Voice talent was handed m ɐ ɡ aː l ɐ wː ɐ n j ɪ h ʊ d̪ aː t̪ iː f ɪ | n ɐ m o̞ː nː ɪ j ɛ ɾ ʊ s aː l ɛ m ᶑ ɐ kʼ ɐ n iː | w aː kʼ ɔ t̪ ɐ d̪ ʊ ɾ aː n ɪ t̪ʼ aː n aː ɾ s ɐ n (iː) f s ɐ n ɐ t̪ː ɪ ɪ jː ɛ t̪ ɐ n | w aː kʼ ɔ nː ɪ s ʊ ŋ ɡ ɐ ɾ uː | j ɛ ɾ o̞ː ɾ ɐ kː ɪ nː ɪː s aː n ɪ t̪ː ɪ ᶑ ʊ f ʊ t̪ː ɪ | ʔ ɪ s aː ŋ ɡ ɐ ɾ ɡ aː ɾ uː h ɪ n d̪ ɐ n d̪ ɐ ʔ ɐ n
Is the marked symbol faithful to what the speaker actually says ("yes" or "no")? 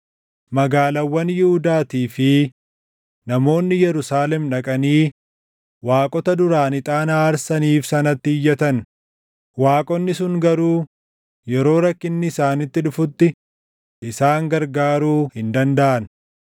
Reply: yes